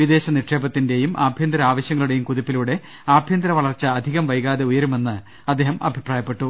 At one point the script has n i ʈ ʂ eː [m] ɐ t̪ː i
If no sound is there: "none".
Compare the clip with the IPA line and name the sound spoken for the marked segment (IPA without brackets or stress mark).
b